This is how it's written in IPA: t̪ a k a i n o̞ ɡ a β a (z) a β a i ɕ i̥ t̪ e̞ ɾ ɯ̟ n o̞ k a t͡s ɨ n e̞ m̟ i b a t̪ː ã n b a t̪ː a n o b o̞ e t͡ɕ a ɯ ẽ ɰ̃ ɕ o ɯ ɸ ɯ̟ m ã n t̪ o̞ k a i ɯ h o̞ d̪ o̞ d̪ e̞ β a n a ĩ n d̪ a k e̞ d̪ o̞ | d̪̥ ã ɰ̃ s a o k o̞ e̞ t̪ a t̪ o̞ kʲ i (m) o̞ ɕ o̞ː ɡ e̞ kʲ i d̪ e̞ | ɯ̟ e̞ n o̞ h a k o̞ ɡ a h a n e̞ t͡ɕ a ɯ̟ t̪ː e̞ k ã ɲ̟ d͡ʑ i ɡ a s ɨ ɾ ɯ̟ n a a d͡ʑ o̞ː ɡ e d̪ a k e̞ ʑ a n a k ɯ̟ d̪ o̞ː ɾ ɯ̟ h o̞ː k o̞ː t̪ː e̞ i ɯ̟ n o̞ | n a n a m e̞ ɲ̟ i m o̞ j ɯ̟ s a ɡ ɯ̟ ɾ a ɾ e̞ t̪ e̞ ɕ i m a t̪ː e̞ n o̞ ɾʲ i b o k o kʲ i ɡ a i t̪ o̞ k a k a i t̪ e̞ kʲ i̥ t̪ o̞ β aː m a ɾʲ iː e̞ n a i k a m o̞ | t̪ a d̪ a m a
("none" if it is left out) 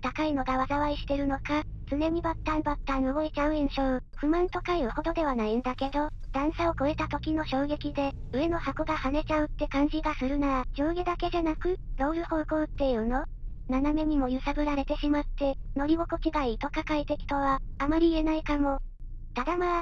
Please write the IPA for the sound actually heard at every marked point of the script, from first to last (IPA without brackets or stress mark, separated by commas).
z, n